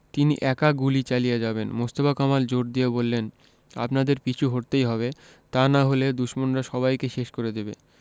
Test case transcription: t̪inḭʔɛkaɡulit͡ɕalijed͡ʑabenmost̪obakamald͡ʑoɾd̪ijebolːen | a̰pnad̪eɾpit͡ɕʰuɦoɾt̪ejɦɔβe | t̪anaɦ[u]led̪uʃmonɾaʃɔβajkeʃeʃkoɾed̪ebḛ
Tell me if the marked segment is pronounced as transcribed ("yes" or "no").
no